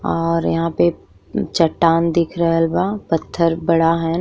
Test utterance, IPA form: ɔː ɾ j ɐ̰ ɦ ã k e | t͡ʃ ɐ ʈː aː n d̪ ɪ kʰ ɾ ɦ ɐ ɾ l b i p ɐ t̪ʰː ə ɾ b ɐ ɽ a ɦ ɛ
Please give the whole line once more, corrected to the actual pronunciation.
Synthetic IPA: ɔː ɾ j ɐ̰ ɦ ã p e | t͡ʃ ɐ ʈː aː n d̪ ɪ kʰ ɾ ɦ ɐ l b a p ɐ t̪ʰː ə ɾ b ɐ ɽ a ɦ ɛ